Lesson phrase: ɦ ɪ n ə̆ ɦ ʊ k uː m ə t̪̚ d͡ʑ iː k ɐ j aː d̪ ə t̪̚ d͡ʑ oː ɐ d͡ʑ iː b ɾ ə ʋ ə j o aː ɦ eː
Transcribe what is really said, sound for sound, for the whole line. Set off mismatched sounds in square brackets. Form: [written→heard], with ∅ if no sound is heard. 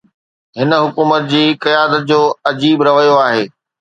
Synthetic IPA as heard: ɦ ɪ n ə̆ ɦ ʊ k uː m ə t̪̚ d͡ʑ iː k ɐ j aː d̪ ə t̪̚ d͡ʑ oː ɐ d͡ʑ iː b ɾ [ə→ɐ] ʋ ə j o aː ɦ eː